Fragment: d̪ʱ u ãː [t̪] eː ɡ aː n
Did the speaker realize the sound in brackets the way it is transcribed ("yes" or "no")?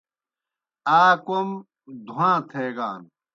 no